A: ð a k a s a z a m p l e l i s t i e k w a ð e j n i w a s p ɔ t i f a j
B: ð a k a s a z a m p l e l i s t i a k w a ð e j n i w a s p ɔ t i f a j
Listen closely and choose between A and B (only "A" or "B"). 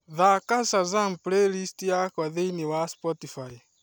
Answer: B